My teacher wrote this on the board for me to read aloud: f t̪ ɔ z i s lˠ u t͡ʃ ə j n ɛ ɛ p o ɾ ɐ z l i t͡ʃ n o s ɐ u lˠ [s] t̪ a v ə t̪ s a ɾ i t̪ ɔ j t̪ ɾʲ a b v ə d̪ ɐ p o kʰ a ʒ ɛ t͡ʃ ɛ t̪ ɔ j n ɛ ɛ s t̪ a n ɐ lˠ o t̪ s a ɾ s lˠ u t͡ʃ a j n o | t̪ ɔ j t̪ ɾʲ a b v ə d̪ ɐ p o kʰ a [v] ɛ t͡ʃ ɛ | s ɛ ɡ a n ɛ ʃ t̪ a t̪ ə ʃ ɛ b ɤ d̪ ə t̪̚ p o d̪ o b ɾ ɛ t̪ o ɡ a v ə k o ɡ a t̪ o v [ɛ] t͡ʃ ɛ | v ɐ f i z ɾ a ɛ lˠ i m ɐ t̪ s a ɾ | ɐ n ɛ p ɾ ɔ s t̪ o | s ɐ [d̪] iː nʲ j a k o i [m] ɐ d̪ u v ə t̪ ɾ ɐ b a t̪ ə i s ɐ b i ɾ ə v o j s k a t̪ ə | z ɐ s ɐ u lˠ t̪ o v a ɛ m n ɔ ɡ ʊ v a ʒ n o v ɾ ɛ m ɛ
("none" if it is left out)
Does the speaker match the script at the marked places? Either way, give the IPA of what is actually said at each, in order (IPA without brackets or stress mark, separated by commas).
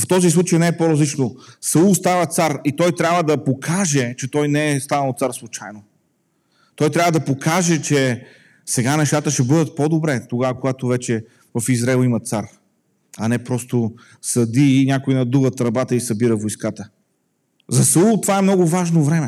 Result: s, ʒ, ɛ, d̪, n